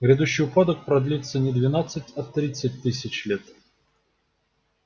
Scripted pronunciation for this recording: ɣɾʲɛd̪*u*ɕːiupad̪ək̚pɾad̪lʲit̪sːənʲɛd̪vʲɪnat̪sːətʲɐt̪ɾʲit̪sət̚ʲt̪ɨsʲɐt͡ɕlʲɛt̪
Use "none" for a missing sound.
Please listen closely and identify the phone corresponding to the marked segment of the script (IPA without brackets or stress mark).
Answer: u